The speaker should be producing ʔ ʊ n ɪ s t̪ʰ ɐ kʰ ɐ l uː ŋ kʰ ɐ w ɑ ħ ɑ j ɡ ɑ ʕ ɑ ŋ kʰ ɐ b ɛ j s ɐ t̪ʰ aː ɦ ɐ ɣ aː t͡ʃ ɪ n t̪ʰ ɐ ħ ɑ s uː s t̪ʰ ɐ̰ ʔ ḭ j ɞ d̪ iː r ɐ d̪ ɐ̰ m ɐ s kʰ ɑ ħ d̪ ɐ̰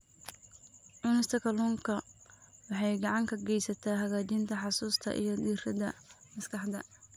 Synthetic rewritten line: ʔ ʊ n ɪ s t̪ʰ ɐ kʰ ɐ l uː ŋ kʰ ɐ w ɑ ħ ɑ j ɡ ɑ ʕ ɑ ŋ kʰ ɐ ɡ ɛ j s ɐ t̪ʰ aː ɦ ɐ ɣ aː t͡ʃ ɪ n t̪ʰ ɐ ħ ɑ s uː s t̪ʰ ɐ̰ ʔ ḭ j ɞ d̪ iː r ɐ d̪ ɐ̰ m ɐ s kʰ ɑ ħ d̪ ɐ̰